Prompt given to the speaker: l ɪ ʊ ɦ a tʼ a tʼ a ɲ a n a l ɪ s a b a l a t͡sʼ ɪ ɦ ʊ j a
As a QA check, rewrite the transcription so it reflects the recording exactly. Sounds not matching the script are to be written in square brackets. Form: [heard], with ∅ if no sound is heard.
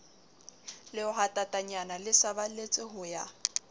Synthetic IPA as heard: l ɪ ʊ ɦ a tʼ a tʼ a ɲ a n a l ɪ s a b a l [e] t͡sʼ ɪ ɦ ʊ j a